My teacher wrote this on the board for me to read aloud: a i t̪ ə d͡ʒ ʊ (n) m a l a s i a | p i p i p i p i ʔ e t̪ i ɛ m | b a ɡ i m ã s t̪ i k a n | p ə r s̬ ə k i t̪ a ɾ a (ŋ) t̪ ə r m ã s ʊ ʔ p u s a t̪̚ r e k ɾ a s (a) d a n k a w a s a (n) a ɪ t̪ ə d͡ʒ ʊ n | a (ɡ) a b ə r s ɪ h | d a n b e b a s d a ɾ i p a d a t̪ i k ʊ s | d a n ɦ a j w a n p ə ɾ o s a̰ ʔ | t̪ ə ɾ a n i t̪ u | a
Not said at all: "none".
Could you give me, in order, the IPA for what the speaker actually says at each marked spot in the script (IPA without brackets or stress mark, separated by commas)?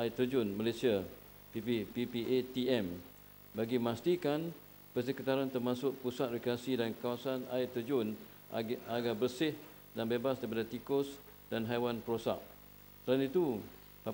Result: n, n, i, n, ɡ